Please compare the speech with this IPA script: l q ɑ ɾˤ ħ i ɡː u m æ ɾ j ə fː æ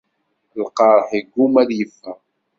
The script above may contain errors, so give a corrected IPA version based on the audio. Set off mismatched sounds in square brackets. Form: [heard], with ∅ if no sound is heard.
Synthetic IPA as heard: l q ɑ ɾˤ ħ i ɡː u m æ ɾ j ə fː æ